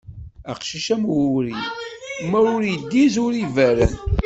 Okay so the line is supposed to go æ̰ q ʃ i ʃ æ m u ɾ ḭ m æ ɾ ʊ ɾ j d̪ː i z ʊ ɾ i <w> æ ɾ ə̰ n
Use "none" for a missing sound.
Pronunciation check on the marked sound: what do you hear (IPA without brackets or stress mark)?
v